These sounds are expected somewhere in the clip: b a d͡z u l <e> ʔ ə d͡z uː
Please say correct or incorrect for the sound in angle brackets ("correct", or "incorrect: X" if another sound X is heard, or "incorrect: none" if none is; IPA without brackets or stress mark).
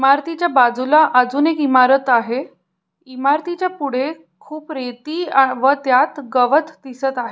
incorrect: a